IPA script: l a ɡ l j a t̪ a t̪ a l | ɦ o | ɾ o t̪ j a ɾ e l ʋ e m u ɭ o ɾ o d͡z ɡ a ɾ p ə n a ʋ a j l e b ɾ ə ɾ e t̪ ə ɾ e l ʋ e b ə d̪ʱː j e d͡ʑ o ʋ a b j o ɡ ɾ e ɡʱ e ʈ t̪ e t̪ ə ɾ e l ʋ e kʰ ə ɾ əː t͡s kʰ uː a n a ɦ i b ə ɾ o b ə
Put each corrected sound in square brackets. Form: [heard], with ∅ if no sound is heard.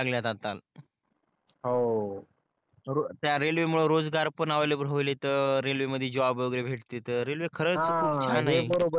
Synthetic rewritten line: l a ɡ l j a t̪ a t̪ a l | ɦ o | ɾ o t̪ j a ɾ e l ʋ e m u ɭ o ɾ o d͡z ɡ a ɾ p ə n a ʋ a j l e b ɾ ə [l] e t̪ ə ɾ e l ʋ e [m] ə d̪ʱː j e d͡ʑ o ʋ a b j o ɡ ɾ e [bʱ] e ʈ t̪ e t̪ ə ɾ e l ʋ e kʰ ə ɾ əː t͡s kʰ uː a n a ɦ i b ə ɾ o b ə

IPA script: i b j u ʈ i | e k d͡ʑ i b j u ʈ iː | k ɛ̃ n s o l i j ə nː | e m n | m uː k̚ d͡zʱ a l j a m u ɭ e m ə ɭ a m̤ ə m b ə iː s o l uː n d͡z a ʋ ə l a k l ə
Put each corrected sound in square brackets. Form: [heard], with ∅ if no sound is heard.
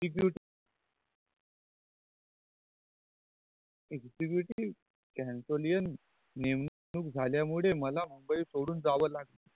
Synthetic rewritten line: i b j u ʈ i | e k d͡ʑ i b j u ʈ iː | k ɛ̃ n s o l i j ə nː | e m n | [n] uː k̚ d͡zʱ a l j a m u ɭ e m ə [l] a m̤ ə m b ə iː s o [ɽ] uː n d͡z a ʋ ə l a [ɡ] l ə

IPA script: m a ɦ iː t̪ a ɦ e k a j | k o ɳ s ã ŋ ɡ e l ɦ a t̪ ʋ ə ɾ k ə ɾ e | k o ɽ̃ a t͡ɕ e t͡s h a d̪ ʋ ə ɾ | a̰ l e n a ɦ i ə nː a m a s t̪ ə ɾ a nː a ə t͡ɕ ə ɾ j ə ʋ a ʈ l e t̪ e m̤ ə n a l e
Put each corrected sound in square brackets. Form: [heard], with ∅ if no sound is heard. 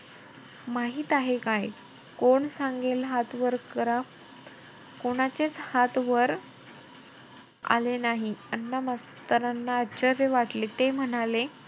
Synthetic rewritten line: m a ɦ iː t̪ a ɦ e k a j | k o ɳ s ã ŋ ɡ e l ɦ a t̪ ʋ ə ɾ k ə ɾ [a] | k o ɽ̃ a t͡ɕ e t͡s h a [t̪] ʋ ə ɾ | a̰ l e n a ɦ i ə nː a m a s t̪ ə ɾ a nː a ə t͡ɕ ə ɾ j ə ʋ a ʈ l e t̪ e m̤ ə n a l e

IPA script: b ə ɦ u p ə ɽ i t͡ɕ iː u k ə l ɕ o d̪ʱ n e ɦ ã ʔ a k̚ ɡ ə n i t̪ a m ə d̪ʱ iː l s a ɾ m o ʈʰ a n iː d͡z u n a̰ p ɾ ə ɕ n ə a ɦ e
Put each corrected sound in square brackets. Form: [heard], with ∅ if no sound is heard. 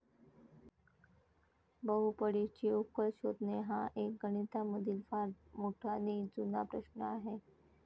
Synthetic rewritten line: b ə ɦ u p ə ɽ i t͡ɕ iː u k ə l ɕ o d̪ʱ n e ɦ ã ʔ [e] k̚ ɡ ə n i t̪ a m ə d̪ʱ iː l [f] a ɾ m o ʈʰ a n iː d͡z u n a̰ p ɾ ə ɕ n ə a ɦ e

